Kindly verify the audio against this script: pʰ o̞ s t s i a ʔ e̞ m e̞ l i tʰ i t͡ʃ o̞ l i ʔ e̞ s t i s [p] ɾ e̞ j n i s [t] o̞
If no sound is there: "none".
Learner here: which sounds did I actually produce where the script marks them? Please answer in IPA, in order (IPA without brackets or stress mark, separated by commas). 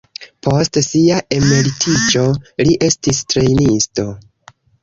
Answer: t, t